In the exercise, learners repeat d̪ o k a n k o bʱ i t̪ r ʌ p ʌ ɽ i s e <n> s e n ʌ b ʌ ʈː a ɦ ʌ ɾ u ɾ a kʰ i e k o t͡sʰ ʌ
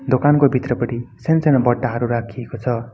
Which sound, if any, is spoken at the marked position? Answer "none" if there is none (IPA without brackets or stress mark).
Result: n